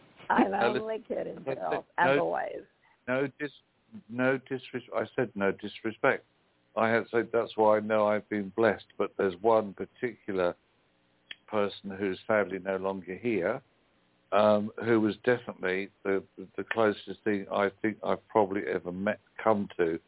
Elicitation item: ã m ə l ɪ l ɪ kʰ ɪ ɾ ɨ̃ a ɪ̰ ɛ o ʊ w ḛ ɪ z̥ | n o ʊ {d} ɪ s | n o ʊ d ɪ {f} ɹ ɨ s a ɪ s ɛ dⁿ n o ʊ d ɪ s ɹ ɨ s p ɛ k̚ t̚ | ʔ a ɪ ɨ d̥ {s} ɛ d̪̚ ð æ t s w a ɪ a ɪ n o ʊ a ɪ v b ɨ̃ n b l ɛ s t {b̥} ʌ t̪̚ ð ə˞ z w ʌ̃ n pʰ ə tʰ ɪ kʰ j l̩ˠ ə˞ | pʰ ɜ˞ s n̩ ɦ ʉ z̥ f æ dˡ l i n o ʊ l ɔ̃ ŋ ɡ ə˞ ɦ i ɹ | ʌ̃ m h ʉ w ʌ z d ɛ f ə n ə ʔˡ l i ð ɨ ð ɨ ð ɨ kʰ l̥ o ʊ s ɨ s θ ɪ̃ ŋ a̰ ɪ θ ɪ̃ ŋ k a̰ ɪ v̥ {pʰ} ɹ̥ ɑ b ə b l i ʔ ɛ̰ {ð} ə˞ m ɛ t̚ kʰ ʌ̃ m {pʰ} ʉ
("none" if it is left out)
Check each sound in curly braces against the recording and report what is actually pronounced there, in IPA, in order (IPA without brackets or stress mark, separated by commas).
d, s, s, b̥, pʰ, v, tʰ